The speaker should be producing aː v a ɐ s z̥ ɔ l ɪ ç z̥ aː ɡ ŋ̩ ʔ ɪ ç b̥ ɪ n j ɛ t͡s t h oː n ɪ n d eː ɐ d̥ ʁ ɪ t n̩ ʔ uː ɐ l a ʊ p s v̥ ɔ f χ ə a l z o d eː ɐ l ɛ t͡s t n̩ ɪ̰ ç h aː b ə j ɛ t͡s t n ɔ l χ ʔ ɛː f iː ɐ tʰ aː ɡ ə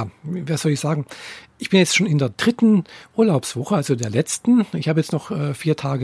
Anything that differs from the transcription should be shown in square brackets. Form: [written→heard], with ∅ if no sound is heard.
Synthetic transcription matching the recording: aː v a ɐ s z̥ ɔ l ɪ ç z̥ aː ɡ ŋ̩ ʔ ɪ ç b̥ ɪ n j ɛ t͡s t [h→ʃ] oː n ɪ n d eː ɐ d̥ ʁ ɪ t n̩ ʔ uː ɐ l a ʊ p s v̥ ɔ [f→∅] χ ə a l z o d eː ɐ l ɛ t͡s t n̩ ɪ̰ ç h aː b ə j ɛ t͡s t n ɔ [l→∅] χ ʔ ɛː f iː ɐ tʰ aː ɡ ə